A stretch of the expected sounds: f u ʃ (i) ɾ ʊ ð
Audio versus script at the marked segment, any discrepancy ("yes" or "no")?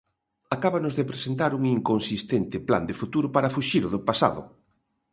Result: no